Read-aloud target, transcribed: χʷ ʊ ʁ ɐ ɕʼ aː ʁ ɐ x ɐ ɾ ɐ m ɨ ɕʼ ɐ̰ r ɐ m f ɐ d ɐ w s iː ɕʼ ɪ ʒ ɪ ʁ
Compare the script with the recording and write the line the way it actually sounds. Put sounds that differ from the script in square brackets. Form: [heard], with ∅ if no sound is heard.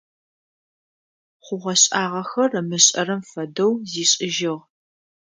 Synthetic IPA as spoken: χʷ ʊ ʁ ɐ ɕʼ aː ʁ ɐ x ɐ [r] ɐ m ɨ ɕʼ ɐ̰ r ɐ m f ɐ d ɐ w [z] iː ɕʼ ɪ ʒ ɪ ʁ